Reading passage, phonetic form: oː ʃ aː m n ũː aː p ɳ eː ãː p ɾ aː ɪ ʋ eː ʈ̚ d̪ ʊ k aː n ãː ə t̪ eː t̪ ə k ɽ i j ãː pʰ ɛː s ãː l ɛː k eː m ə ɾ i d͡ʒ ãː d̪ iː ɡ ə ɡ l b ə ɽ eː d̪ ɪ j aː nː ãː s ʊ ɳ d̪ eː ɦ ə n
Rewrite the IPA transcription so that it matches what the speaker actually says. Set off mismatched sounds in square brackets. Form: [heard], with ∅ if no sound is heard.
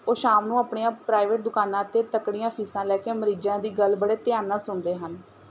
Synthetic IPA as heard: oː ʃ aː m n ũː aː p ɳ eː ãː p ɾ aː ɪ ʋ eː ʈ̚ d̪ ʊ k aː n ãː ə t̪ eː t̪ ə k ɽ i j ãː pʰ [iː] s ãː l ɛː k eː m ə ɾ [iː] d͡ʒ ãː d̪ iː ɡ ə [∅] l b ə ɽ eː [t̪] ɪ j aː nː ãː s ʊ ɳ d̪ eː ɦ ə n